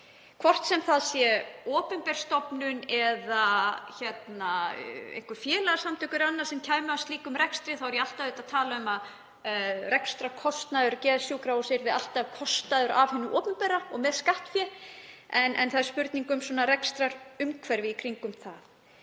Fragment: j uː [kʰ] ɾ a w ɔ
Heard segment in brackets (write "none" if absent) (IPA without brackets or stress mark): k